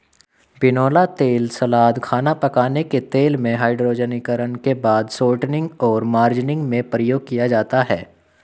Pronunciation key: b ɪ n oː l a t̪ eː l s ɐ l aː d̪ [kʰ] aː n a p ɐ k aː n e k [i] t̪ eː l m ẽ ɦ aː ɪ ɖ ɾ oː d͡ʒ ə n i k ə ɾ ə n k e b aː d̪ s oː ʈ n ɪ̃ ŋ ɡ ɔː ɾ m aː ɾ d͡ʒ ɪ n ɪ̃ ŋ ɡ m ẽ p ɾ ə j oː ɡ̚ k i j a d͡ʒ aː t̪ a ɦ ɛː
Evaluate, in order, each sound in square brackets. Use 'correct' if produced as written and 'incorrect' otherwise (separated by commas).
correct, incorrect